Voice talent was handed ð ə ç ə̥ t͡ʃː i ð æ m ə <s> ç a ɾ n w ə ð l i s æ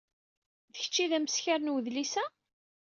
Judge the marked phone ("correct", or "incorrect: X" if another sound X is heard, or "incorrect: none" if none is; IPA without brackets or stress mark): correct